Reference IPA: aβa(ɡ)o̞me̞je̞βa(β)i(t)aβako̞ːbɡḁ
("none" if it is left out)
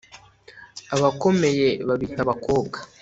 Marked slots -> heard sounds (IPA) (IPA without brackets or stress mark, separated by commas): k, β, t